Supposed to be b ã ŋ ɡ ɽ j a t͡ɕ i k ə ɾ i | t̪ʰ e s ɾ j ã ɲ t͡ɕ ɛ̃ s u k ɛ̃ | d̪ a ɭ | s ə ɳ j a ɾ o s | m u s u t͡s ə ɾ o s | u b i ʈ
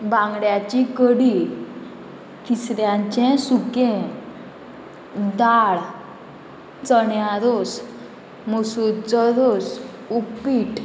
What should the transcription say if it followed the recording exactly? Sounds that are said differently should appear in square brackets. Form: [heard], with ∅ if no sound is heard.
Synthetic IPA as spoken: b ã ŋ ɡ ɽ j a t͡ɕ i k ə [ɽ] i | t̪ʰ [i] s ɾ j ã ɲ t͡ɕ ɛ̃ s u k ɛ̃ | d̪ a ɭ | [t͡s] ə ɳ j a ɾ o s | m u s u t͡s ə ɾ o s | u [p] i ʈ